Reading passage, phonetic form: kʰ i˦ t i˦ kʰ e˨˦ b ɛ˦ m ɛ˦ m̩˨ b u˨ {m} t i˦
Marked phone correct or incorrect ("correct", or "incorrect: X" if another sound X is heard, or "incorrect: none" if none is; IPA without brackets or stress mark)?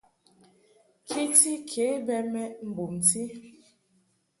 correct